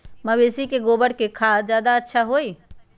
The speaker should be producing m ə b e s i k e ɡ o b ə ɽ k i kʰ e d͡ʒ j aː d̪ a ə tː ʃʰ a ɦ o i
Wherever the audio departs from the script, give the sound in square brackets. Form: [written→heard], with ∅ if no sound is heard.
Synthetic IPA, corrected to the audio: m ə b e s i k e ɡ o b ə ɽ k [i→e] kʰ [e→a] d͡ʒ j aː d̪ a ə tː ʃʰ a ɦ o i